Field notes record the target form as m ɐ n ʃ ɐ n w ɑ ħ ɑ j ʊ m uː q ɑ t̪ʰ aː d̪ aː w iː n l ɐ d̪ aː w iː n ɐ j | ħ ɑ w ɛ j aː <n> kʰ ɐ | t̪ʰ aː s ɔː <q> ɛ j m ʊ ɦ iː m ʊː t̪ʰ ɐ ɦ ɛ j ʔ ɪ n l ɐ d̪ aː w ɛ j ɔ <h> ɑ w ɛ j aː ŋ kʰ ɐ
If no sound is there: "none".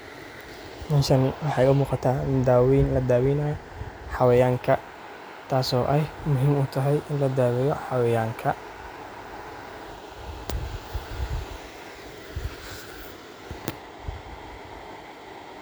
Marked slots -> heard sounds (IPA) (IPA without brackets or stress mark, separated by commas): ŋ, ʔ, ħ